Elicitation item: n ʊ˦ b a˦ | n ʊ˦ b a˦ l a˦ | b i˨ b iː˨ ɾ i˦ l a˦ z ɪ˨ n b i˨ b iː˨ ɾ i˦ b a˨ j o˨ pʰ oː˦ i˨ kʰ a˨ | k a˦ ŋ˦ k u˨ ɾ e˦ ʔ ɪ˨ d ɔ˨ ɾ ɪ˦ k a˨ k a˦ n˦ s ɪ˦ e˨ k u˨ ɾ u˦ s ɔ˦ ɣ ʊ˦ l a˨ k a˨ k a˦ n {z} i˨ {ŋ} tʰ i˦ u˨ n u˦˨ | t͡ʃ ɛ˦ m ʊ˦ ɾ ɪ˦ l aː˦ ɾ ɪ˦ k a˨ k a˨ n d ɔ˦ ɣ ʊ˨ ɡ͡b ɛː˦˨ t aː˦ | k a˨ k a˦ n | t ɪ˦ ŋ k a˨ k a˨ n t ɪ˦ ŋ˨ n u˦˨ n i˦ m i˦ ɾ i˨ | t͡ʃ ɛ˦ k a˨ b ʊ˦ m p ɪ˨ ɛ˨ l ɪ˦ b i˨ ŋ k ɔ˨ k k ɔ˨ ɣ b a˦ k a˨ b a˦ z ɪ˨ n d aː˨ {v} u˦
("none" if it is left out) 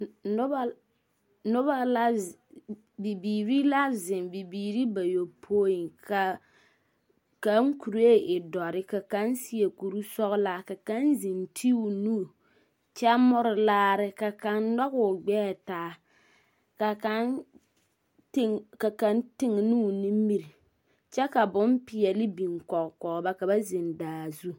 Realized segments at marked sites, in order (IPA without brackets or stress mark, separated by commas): z, n, z